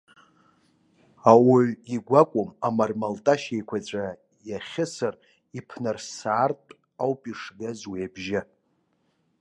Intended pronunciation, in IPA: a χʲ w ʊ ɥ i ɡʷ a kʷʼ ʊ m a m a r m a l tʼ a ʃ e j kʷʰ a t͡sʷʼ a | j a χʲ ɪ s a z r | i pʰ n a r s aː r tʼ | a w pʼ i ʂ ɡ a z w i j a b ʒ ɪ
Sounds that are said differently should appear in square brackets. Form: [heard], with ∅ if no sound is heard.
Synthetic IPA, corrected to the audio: a [∅] w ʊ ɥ i ɡʷ a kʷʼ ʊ m a m a r m a l tʼ a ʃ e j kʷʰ a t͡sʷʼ a | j a χʲ ɪ s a [∅] r | i pʰ n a r s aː r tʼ | a w pʼ i ʂ ɡ a z w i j a b ʒ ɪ

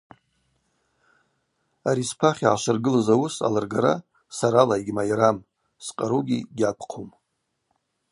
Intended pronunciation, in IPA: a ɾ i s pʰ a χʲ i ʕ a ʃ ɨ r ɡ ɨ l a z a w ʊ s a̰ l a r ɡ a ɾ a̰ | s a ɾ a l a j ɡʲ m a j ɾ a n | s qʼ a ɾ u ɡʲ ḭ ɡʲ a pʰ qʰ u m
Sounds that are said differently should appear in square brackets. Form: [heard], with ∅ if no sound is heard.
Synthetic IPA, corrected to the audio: a ɾ i s pʰ a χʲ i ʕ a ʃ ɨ r ɡ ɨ l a z a w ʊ s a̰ l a r ɡ a ɾ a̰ | s a ɾ a l a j ɡʲ m a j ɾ a [m] | s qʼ a ɾ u ɡʲ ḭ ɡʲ a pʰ qʰ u m

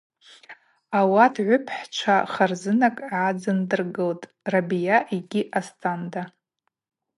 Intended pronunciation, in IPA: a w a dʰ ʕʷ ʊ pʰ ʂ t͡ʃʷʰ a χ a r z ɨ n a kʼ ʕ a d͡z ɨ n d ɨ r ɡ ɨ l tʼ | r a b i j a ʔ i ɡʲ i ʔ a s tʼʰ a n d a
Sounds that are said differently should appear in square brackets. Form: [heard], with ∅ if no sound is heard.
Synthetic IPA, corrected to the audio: a w a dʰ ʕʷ ʊ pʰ [ħ] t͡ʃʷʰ a χ a r z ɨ n a kʼ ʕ a d͡z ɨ n d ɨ r ɡ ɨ l tʼ | r a b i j a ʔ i ɡʲ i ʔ a s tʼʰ a n d a

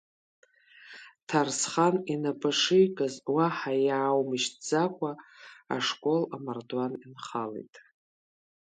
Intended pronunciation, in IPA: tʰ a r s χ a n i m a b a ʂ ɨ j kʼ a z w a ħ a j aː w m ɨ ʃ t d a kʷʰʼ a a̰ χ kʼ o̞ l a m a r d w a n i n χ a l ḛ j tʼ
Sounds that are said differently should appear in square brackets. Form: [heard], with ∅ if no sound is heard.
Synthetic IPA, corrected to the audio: tʰ a r s χ a n i [n] a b a ʂ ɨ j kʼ a z w a ħ a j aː w m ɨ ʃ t [d͡z] a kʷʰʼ a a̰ [ʂ] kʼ o̞ l a m a r d w a n i n χ a l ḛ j tʼ

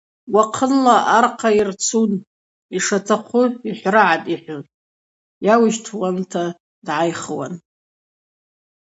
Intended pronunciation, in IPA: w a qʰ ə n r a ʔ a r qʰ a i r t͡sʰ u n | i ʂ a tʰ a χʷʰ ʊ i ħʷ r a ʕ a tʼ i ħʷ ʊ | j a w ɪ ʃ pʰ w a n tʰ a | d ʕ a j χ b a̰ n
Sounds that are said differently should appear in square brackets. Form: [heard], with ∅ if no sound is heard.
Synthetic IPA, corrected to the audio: w a qʰ ə n [l] a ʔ a r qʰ a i r t͡sʰ u n | i ʂ a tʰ a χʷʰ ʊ i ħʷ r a ʕ a tʼ i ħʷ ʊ | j a w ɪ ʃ [tʰ] w a n tʰ a | d ʕ a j χ [w] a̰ n

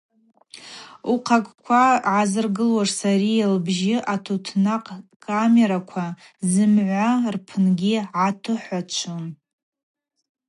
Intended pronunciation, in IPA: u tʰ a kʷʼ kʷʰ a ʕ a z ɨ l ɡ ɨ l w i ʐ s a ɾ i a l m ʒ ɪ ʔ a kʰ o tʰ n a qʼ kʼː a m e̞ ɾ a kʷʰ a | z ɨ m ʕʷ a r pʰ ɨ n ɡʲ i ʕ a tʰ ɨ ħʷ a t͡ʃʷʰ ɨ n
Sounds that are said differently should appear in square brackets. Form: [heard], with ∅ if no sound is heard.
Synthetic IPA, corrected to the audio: u [qʰ] a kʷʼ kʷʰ a ʕ a z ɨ [r] ɡ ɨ l w [a] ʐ s a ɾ i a l [b] ʒ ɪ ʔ a [tʰ] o tʰ n a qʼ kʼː a m e̞ ɾ a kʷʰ a | z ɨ m ʕʷ a r pʰ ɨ n ɡʲ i ʕ a tʰ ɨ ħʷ a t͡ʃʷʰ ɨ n

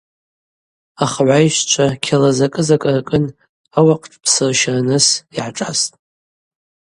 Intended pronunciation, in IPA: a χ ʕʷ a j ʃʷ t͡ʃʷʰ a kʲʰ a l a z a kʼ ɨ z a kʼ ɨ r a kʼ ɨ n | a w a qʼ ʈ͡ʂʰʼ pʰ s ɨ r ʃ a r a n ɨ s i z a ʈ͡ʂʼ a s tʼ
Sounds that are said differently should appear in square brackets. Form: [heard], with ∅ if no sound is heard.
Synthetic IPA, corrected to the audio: a χ ʕʷ a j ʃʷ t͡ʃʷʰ a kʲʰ a l a z a kʼ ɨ z a kʼ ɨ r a kʼ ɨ n | a w a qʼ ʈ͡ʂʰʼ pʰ s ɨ r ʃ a r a n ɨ s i [ʕ] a ʈ͡ʂʼ a s tʼ

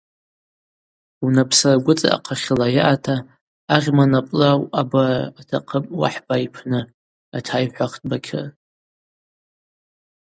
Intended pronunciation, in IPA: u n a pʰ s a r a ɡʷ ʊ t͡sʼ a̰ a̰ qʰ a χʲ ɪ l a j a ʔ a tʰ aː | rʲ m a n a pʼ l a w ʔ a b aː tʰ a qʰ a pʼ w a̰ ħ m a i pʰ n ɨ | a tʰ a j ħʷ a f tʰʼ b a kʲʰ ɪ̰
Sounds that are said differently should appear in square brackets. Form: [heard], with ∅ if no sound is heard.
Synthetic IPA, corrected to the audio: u n a pʰ s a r a ɡʷ ʊ t͡sʼ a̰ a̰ qʰ a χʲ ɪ l a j a ʔ a tʰ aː | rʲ m a n a pʼ l a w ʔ a b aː tʰ a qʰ [ə] pʼ w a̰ ħ [b] a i pʰ n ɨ | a tʰ a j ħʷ a [χ] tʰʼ b a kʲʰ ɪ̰

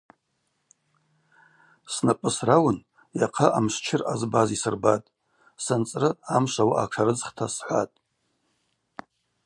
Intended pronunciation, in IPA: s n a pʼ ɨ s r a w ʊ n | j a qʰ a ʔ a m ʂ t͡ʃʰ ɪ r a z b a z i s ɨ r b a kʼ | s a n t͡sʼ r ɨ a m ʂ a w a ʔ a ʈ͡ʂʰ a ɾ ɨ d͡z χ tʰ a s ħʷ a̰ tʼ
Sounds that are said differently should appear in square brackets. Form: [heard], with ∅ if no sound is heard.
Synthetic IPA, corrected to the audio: s n a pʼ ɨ s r a w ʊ n | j a qʰ a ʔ a m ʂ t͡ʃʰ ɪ r a z b a z i s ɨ r b a [tʼ] | s a n t͡sʼ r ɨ a m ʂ a w a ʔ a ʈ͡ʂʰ a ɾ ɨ d͡z χ tʰ a s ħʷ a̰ tʼ

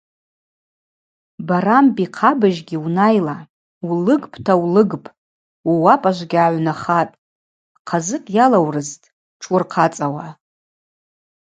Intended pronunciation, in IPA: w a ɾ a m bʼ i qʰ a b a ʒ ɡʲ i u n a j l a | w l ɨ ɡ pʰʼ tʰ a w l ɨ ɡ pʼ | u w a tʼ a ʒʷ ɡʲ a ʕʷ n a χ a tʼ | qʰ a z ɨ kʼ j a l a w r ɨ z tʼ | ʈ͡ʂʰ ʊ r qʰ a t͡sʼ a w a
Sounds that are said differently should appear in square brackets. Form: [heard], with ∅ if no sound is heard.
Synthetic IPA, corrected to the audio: [b] a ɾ a m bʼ i qʰ a b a ʒ ɡʲ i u n a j l a | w l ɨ ɡ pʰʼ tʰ a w l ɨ ɡ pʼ | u w a [pʼ] a ʒʷ ɡʲ a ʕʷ n a χ a tʼ | qʰ a z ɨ kʼ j a l a w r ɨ z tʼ | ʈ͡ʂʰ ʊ r qʰ a t͡sʼ a w a

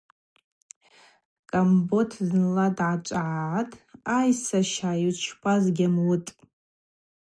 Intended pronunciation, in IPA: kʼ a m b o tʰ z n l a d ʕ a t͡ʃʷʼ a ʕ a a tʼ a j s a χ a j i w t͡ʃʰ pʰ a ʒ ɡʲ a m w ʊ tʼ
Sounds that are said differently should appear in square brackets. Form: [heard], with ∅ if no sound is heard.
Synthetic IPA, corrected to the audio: kʼ a m b o tʰ z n l a d ʕ a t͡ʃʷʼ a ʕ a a tʼ a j s a [ʃ] a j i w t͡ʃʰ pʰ a [z] ɡʲ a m w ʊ tʼ

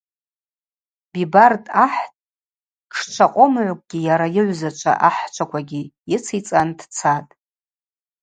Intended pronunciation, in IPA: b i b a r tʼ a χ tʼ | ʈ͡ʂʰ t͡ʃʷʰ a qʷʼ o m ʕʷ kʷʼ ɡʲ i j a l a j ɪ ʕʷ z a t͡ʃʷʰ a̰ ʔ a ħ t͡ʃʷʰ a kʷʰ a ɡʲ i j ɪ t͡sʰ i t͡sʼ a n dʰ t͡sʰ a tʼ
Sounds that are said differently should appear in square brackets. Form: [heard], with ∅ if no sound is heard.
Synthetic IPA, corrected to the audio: b i b a r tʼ a [ħ] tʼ | ʈ͡ʂʰ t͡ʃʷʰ a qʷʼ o m ʕʷ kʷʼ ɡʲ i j a [ɾ] a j ɪ ʕʷ z a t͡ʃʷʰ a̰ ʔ a ħ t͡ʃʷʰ a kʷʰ a ɡʲ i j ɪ t͡sʰ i t͡sʼ a n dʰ t͡sʰ a tʼ

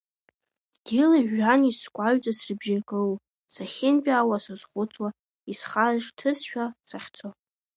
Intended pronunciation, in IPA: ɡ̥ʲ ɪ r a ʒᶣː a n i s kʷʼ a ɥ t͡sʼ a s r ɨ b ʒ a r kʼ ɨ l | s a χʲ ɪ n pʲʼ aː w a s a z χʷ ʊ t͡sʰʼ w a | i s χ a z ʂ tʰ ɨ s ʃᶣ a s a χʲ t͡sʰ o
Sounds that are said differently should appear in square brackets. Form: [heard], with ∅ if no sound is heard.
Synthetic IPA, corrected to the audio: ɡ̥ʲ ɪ [l] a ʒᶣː a n i s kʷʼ a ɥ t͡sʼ a s r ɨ b ʒ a r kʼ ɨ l | s a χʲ ɪ n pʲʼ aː w a s a z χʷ ʊ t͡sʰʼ w a | i s χ a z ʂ tʰ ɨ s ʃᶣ a s a χʲ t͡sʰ o

